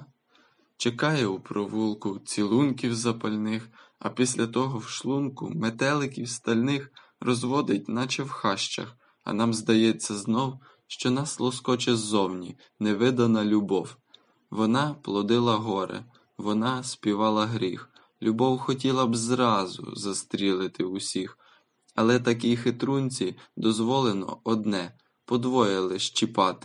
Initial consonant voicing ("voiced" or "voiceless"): voiceless